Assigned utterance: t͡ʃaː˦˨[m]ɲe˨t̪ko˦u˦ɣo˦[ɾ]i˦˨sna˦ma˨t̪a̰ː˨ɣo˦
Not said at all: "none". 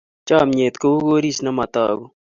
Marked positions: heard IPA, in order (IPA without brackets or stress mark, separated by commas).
m, ɾ